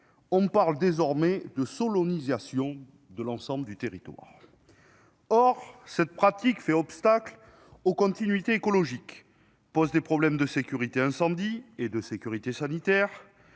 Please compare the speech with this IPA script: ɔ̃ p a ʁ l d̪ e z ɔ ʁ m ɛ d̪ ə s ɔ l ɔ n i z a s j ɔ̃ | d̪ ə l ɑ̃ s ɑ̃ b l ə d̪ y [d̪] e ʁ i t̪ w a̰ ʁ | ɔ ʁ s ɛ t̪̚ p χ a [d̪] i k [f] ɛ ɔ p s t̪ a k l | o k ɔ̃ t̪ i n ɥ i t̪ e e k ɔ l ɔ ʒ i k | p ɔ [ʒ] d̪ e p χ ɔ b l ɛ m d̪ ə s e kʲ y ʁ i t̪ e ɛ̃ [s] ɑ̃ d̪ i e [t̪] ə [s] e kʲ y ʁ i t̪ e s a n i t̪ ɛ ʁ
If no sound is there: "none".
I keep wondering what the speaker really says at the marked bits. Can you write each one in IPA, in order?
t̪, t̪, f, z, s, d̪, s

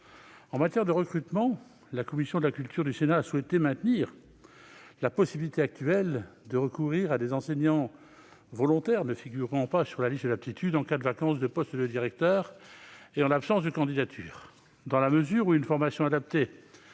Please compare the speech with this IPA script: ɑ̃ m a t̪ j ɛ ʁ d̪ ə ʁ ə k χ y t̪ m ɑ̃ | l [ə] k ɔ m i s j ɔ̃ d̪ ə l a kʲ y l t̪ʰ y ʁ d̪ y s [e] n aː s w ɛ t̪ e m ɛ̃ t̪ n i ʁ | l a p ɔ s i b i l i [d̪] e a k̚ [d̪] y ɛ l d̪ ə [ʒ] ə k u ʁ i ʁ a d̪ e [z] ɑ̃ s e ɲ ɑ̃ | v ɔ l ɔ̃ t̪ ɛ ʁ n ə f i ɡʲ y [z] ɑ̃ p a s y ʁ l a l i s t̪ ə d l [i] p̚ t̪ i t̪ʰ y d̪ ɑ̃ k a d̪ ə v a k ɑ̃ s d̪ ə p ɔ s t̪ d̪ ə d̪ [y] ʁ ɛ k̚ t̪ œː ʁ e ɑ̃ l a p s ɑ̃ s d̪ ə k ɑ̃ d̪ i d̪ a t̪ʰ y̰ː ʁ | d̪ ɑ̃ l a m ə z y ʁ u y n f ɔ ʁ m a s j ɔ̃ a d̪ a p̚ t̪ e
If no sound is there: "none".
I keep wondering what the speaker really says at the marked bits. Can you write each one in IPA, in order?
a, e, t̪, t̪, ʁ, z, ʁ, a, i

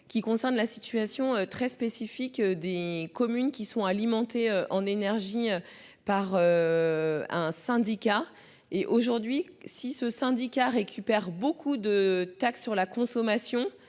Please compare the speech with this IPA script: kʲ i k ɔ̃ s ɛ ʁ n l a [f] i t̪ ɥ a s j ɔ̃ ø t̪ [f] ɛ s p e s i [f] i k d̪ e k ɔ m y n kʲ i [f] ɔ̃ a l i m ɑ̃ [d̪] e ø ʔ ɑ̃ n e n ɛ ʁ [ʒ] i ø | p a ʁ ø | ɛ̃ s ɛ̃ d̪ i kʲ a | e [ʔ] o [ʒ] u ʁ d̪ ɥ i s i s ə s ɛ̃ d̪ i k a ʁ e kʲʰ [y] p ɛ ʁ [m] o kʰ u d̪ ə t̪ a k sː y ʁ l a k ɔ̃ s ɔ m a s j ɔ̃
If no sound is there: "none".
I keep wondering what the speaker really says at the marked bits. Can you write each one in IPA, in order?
s, χ, f, s, t̪, ʒ, ʔ, ʒ, y, b

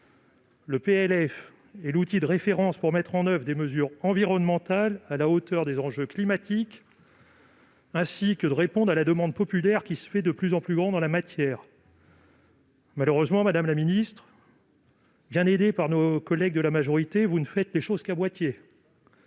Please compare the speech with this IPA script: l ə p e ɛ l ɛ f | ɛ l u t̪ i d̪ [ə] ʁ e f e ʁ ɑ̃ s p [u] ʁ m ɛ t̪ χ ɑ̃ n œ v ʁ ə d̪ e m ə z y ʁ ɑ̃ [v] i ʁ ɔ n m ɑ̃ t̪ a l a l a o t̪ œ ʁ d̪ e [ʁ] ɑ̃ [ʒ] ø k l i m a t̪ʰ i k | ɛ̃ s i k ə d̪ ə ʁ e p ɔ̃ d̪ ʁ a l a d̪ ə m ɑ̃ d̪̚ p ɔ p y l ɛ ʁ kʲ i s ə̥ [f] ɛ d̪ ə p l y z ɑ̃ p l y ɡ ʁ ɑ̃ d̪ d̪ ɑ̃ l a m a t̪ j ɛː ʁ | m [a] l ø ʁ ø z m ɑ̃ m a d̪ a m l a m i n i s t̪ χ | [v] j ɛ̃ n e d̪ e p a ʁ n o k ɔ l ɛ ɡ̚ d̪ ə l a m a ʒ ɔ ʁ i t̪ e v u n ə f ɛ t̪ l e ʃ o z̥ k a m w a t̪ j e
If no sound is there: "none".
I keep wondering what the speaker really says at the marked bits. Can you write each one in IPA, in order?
ə, u, v, z, ʒ, f, a, b

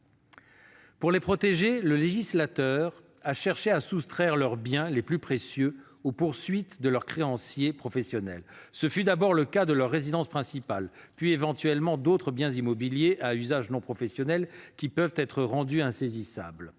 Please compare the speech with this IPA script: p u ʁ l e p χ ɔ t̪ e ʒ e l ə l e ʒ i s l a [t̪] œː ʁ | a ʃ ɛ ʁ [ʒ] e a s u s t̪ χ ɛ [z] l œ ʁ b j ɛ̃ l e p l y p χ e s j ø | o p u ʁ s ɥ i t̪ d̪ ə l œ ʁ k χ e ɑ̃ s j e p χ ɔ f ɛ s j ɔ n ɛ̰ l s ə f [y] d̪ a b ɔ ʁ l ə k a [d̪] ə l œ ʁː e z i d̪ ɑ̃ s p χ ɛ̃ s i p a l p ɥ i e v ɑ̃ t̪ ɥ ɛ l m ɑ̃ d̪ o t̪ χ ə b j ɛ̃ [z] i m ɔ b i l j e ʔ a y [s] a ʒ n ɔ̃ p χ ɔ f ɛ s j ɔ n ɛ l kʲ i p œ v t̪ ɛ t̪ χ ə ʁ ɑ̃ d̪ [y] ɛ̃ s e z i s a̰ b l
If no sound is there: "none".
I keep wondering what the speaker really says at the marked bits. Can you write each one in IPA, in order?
t̪, ʃ, ʁ, y, d̪, z, z, y

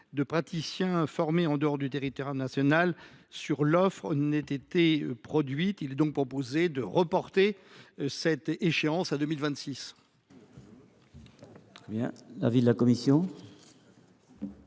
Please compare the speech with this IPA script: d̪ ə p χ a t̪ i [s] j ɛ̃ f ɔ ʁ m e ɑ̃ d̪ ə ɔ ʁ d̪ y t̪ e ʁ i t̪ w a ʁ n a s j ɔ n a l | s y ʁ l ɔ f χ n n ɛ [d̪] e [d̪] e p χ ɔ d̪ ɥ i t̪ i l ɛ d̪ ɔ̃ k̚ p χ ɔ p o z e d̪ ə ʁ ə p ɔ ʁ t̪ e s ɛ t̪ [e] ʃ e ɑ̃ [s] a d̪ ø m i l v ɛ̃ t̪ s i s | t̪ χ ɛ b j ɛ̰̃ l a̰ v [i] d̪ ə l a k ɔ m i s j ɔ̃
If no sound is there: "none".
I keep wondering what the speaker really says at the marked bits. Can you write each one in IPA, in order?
s, t̪, t̪, e, s, i

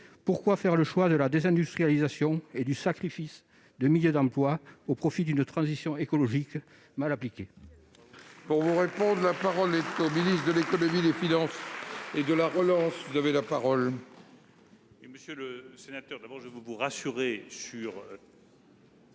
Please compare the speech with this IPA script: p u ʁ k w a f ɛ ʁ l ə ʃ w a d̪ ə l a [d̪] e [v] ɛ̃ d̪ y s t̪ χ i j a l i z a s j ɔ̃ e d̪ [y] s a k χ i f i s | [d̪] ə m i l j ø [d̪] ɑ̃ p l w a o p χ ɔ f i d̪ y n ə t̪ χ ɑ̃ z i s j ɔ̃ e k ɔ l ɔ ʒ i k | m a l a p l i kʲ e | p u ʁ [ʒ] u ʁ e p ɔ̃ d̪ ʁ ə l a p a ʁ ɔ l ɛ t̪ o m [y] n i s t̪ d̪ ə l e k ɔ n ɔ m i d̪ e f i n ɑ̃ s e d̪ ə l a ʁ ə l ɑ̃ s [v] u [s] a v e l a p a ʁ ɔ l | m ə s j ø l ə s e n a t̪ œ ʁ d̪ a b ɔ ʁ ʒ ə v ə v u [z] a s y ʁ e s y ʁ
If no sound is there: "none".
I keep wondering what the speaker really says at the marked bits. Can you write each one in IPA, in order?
d̪, z, y, d̪, d̪, v, i, v, z, ʁ

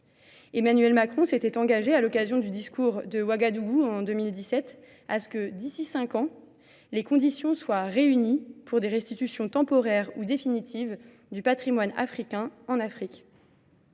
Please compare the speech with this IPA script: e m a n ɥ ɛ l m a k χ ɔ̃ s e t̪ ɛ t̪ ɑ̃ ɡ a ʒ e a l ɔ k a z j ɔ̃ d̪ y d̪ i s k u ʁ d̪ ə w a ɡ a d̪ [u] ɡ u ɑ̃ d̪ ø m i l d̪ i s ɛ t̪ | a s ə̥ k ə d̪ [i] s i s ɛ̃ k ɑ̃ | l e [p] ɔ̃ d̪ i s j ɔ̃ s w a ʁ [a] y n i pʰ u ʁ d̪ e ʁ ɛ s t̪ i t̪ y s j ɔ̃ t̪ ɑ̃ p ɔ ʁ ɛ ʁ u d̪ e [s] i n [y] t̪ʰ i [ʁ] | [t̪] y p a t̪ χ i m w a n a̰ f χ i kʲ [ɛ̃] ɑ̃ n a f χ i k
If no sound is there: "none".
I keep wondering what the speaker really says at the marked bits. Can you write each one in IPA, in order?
u, i, k, e, f, i, v, d̪, ɛ̃

